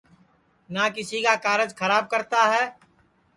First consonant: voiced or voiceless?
voiced